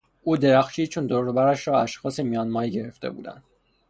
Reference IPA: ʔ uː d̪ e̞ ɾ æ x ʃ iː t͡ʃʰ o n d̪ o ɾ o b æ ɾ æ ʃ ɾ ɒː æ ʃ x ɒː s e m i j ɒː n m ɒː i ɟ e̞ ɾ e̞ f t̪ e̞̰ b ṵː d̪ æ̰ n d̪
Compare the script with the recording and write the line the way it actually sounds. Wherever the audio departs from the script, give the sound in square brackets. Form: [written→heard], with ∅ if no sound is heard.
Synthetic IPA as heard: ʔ uː d̪ e̞ ɾ æ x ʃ iː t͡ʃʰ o n d̪ o ɾ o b æ ɾ æ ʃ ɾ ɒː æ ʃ x ɒː s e m i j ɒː n m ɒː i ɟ e̞ ɾ e̞ f t̪ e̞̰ b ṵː d̪ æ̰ n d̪